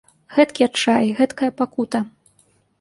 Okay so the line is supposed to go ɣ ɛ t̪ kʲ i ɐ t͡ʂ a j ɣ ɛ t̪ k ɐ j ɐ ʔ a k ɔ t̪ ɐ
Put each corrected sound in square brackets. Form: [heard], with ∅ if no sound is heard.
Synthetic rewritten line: ɣ ɛ t̪ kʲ i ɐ t͡ʂ a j ɣ ɛ t̪ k ɐ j ɐ [p] a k [u] t̪ ɐ